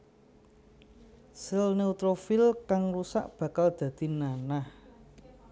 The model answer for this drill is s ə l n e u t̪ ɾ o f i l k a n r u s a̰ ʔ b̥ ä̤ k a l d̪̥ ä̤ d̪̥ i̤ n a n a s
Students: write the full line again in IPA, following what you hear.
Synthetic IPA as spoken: s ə l n e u t̪ ɾ o f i l k a ŋ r u s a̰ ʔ b̥ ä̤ k a l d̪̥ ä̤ d̪̥ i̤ n a n a h